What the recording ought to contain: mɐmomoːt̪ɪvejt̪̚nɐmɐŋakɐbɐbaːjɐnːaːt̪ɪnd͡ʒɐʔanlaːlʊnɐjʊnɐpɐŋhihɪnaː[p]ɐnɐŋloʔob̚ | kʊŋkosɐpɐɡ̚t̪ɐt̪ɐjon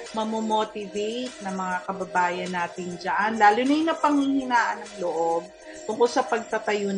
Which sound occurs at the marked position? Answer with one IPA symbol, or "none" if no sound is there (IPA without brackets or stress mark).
ʔ